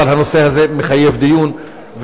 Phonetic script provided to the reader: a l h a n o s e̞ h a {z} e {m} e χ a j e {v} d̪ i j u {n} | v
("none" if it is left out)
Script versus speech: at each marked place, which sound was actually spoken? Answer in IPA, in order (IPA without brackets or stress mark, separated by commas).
z, m, v, n